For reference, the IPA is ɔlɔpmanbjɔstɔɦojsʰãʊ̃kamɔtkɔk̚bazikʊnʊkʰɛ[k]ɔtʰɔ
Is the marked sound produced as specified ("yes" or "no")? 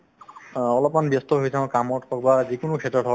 no